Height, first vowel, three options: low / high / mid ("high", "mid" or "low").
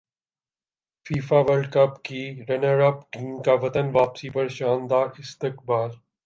high